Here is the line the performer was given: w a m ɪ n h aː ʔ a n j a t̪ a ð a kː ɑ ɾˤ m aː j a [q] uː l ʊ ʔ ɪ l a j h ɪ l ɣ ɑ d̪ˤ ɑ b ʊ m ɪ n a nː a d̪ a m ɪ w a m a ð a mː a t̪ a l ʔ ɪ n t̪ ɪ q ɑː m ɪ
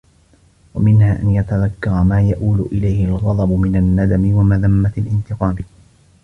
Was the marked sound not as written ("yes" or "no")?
yes